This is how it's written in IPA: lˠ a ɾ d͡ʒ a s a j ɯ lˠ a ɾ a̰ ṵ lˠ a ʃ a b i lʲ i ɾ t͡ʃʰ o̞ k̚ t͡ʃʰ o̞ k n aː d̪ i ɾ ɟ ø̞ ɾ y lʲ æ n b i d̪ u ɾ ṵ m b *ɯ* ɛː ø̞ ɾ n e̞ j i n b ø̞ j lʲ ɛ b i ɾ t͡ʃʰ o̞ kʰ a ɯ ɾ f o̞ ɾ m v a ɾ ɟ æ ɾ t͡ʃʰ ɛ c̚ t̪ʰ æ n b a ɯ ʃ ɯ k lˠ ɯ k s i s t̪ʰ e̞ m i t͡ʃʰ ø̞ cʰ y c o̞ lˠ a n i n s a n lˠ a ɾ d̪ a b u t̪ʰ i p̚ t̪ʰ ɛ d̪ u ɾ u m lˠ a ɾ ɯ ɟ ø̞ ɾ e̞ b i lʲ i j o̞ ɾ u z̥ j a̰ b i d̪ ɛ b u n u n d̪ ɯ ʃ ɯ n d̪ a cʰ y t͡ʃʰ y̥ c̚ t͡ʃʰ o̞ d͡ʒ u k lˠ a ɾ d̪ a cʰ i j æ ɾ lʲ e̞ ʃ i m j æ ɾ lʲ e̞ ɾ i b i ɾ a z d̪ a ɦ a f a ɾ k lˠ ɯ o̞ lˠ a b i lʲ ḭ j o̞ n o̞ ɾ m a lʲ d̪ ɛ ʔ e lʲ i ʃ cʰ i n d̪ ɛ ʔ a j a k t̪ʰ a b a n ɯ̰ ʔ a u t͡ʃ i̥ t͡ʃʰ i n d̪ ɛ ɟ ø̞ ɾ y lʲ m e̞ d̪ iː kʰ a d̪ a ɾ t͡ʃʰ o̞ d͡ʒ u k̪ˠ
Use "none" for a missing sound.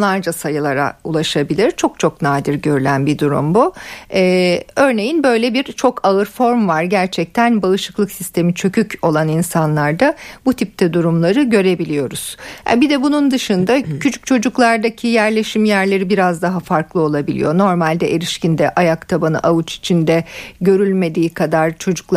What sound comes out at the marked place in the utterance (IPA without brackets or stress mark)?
u